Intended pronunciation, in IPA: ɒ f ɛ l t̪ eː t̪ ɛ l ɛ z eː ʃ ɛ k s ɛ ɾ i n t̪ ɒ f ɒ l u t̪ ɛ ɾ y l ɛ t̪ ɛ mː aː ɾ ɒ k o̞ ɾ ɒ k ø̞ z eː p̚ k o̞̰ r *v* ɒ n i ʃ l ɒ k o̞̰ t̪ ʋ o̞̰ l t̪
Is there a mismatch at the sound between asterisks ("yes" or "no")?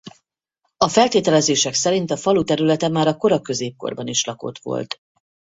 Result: yes